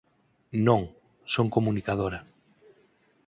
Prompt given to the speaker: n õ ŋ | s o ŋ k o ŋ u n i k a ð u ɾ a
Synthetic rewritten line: n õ ŋ | s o ŋ k o m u n i k a ð o ɾ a